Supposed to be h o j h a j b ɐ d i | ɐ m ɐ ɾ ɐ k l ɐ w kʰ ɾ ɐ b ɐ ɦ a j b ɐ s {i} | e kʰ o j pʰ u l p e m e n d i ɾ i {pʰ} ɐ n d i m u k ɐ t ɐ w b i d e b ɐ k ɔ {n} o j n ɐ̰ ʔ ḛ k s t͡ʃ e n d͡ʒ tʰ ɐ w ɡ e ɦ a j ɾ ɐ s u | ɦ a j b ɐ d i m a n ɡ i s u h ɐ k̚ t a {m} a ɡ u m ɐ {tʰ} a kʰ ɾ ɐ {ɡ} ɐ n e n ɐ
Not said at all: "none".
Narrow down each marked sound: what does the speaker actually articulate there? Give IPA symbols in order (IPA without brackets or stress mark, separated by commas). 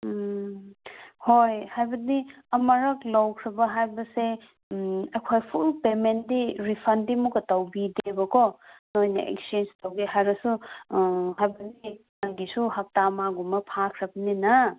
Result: e, pʰ, n, m, pʰ, b